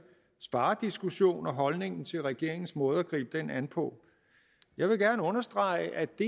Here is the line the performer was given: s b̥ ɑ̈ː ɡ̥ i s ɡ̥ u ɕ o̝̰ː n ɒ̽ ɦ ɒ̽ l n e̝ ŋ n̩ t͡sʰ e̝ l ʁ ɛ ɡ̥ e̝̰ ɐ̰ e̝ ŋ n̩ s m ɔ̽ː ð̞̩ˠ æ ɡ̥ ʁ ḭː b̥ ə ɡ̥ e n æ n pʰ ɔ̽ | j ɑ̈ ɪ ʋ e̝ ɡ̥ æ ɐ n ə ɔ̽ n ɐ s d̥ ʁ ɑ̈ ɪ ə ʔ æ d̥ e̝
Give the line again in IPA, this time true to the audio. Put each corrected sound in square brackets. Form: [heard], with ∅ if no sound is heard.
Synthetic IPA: s b̥ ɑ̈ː [d̥] i s ɡ̥ u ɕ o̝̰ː n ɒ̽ ɦ ɒ̽ l n e̝ ŋ n̩ t͡sʰ e̝ l ʁ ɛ ɡ̥ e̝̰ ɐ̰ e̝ ŋ n̩ s m ɔ̽ː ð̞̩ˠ æ ɡ̥ ʁ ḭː b̥ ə [d̥] e n æ n pʰ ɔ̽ | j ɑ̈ ɪ ʋ e̝ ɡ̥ æ ɐ n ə ɔ̽ n ɐ s d̥ ʁ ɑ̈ ɪ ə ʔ æ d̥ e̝

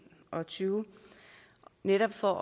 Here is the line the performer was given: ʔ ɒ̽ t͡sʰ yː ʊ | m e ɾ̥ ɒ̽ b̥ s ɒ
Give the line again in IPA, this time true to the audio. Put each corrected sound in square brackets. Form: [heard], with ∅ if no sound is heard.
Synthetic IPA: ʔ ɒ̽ t͡sʰ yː ʊ | [n] e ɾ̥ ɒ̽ b̥ [f] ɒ

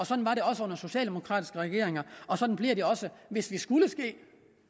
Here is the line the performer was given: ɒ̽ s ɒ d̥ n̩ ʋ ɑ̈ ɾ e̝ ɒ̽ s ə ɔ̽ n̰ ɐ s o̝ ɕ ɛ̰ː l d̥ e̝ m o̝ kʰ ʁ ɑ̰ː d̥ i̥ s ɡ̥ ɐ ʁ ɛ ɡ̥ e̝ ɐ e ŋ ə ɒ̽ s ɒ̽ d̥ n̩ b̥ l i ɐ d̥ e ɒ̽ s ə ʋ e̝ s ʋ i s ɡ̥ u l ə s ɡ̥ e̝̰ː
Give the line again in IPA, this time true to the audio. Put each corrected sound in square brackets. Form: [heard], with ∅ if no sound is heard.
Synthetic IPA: ɒ̽ s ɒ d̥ n̩ ʋ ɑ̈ ɾ e̝ ɒ̽ s ə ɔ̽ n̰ ɐ s o̝ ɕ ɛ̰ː l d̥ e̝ m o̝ kʰ ʁ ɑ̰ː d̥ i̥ s ɡ̥ [ə] ʁ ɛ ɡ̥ e̝ ɐ e ŋ [ɐ] ɒ̽ s ɒ̽ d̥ n̩ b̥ l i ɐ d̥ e ɒ̽ s ə ʋ e̝ s ʋ i s ɡ̥ u l ə s ɡ̥ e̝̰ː

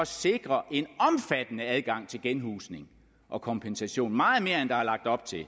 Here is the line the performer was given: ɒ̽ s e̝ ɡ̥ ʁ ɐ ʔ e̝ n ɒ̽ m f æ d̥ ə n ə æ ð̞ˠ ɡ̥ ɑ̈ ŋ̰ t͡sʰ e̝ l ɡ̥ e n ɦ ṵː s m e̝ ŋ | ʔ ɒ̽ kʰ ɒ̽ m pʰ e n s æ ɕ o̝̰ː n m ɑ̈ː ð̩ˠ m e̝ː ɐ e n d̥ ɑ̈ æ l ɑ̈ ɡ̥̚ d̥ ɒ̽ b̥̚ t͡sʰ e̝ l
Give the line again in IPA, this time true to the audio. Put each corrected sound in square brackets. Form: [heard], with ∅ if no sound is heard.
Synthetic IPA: ɒ̽ s e̝ ɡ̥ ʁ ɐ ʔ e̝ n ɒ̽ m f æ d̥ ə n ə æ ð̞ˠ ɡ̥ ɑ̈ ŋ̰ t͡sʰ e̝ l ɡ̥ e n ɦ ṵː s [n] e̝ ŋ | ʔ ɒ̽ kʰ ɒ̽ m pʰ e n s æ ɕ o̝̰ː n m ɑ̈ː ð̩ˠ m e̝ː ɐ e n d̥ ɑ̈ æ l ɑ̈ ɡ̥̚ d̥ ɒ̽ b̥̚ t͡sʰ e̝ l

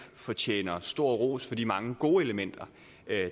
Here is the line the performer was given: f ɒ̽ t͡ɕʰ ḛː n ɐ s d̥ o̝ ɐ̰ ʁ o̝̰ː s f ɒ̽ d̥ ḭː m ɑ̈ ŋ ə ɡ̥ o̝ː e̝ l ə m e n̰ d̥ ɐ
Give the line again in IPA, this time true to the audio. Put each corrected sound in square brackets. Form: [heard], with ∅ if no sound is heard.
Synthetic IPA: f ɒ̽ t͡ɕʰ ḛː n ɐ s d̥ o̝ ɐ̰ ʁ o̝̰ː s f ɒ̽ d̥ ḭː m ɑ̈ ŋ ə ɡ̥ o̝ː e̝ l ə m e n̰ d̥ ɐ

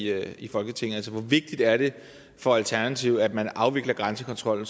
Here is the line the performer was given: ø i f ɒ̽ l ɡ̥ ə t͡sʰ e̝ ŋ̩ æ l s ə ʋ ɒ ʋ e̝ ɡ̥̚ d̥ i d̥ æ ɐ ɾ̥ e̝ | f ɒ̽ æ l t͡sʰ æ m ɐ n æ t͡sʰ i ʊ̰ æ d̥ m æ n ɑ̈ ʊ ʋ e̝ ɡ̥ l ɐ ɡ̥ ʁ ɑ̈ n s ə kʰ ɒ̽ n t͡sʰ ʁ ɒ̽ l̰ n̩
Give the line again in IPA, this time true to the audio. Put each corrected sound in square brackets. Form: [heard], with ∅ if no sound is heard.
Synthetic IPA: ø i f ɒ̽ l ɡ̥ ə t͡sʰ e̝ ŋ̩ æ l s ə ʋ ɒ ʋ e̝ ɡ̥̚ d̥ i d̥ æ ɐ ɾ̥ e̝ | f ɒ̽ æ l t͡sʰ æ [∅] ɐ n æ t͡sʰ i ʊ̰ æ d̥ m æ n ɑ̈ ʊ ʋ e̝ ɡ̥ l ɐ ɡ̥ ʁ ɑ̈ n s ə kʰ ɒ̽ n t͡sʰ ʁ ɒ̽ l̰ n̩

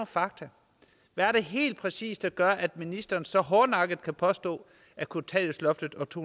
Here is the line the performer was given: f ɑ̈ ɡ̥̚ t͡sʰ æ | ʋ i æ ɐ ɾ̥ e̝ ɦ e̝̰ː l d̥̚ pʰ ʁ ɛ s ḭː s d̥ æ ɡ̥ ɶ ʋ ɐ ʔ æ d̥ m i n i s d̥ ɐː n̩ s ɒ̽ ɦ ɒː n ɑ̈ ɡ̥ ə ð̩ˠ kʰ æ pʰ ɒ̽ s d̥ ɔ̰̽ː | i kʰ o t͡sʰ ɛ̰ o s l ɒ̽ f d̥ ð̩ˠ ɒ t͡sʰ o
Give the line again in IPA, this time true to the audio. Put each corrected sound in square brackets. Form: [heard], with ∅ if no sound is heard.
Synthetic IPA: f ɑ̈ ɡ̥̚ t͡sʰ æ | ʋ [æ] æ ɐ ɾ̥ e̝ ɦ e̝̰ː l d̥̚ pʰ ʁ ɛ s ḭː s d̥ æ ɡ̥ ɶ [∅] ɐ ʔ æ d̥ m i n i s d̥ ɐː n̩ s ɒ̽ ɦ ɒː n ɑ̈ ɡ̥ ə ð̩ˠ kʰ æ pʰ ɒ̽ s d̥ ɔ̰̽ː | [æ] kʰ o t͡sʰ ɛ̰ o s l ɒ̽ f d̥ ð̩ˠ ɒ t͡sʰ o

